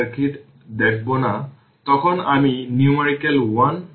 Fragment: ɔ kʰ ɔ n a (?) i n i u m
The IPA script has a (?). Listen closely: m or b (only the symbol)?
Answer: m